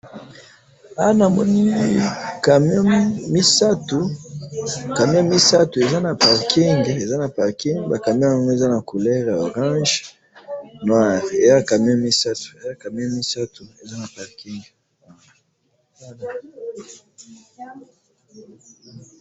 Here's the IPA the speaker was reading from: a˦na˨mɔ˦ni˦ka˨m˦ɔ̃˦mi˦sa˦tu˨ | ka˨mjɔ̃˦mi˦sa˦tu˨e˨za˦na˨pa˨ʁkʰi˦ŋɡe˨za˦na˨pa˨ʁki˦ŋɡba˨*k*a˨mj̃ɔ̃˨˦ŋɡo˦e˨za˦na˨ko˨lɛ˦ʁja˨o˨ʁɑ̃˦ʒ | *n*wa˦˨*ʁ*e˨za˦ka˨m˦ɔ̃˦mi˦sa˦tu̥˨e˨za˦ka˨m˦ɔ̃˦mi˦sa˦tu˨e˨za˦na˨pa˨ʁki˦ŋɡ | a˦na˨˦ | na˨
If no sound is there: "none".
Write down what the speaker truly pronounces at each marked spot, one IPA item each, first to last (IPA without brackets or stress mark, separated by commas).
k, n, ʁ